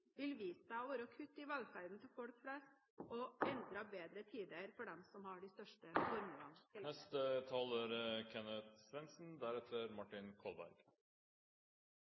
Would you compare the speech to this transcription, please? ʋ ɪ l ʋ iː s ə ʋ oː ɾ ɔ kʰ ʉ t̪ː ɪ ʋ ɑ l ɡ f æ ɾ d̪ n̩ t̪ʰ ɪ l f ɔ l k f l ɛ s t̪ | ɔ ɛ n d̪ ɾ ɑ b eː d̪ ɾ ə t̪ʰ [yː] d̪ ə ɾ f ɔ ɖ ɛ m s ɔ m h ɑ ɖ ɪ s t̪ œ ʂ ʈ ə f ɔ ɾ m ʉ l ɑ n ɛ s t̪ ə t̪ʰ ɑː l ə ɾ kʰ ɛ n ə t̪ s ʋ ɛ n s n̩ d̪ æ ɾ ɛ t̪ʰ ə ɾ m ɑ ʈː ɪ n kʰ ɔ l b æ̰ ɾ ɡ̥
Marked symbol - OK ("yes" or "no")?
no